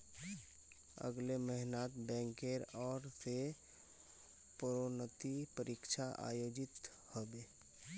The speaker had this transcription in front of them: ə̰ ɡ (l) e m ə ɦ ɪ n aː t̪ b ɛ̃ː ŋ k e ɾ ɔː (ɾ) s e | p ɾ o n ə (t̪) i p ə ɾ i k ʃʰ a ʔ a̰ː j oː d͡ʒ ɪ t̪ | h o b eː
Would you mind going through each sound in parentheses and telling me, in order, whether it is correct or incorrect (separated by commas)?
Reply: correct, correct, correct